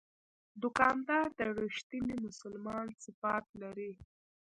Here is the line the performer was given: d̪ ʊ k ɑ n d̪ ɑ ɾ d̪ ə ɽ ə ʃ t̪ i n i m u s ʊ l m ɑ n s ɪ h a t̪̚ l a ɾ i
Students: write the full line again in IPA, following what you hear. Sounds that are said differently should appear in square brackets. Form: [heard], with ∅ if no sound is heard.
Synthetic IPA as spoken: d̪ ʊ k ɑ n d̪ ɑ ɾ d̪ ə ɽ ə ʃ t̪ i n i m [ʊ] s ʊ l m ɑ n s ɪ [f] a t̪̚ l a ɾ i